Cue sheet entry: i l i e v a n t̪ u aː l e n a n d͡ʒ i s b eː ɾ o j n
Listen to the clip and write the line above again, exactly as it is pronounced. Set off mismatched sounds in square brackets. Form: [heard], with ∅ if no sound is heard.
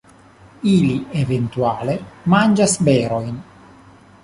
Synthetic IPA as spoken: i l i e v [e] n t̪ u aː l e [m] a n d͡ʒ [a] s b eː ɾ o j n